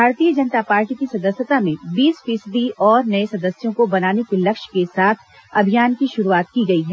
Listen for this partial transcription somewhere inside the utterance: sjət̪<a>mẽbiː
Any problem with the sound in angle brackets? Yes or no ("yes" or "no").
no